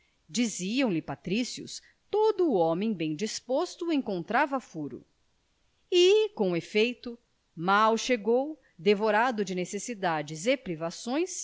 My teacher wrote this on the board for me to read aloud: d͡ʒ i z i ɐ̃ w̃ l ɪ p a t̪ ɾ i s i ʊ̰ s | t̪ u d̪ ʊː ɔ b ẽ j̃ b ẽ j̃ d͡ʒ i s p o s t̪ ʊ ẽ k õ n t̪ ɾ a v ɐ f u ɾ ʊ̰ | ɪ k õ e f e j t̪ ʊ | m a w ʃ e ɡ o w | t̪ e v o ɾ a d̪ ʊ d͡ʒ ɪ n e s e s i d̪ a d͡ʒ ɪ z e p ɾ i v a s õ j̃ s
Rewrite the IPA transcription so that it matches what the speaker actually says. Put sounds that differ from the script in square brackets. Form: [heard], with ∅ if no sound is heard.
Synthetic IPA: d͡ʒ i z i ɐ̃ w̃ l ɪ p a t̪ ɾ i s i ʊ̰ s | t̪ [o] d̪ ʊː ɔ [m] ẽ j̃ b ẽ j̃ d͡ʒ i s p o s t̪ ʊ ẽ k õ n t̪ ɾ a v ɐ f u ɾ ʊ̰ | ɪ k õ e f e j t̪ ʊ | m a w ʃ e ɡ o w | [d̪] e v o ɾ a d̪ ʊ d͡ʒ ɪ n e s e s i d̪ a d͡ʒ ɪ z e p ɾ i v a s õ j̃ s